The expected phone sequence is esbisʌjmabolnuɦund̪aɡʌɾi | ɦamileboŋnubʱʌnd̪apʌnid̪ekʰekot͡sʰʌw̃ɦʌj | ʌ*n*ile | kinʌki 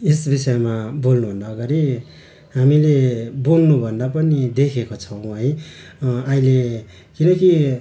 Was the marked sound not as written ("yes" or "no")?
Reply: yes